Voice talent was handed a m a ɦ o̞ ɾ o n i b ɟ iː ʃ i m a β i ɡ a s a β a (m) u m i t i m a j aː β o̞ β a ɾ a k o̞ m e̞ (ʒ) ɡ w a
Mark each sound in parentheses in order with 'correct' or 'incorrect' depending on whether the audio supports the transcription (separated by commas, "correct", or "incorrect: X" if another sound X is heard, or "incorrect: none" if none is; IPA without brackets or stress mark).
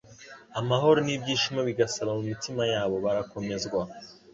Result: correct, incorrect: z